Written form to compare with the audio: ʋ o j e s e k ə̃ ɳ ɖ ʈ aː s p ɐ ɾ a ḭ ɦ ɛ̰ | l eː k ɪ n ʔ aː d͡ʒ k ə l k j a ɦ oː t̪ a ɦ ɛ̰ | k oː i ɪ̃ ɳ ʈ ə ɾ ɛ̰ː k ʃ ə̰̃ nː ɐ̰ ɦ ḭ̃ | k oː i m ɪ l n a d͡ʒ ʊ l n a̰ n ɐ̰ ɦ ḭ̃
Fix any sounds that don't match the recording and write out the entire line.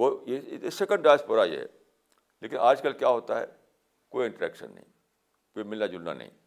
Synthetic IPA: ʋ o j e s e k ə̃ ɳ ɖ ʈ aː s p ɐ ɾ a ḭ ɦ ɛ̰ | l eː k ɪ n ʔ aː d͡ʒ k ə l k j a ɦ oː t̪ a ɦ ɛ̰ | k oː i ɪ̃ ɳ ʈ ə ɾ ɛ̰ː k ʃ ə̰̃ nː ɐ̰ ɦ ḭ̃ | k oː i m ɪ l n a d͡ʒ ʊ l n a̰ n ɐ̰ ɦ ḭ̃